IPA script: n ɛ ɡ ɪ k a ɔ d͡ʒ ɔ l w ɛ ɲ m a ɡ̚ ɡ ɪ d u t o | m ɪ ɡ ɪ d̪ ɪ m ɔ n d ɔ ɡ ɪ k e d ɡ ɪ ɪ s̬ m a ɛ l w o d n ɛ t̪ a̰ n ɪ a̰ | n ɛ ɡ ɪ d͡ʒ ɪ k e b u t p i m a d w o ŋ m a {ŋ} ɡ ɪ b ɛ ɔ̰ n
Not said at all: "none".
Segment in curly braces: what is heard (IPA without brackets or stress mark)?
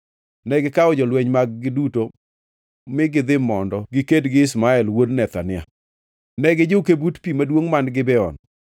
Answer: n